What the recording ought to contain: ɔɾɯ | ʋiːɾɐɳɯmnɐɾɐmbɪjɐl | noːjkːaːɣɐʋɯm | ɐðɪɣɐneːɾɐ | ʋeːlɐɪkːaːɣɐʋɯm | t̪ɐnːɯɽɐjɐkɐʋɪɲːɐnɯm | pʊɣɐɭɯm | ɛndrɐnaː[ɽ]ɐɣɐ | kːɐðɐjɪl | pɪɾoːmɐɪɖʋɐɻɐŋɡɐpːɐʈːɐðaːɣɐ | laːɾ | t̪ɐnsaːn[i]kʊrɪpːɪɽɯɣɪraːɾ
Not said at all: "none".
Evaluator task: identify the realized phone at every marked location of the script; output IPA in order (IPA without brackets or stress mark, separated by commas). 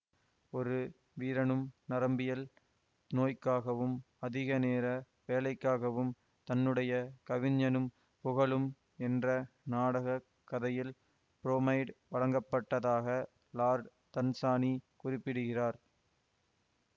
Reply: ɽ, i